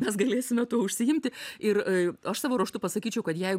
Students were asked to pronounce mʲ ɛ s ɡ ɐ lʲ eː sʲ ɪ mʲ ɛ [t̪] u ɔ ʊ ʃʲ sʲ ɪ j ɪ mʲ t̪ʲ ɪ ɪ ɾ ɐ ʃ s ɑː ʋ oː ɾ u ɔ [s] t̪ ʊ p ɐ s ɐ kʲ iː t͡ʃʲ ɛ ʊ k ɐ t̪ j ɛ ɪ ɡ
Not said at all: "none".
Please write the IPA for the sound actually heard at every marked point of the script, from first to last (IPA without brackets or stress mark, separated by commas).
t̪, ʃ